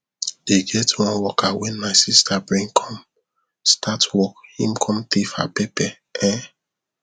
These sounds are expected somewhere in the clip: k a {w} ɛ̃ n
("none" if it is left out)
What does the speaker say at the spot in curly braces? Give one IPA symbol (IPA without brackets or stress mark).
w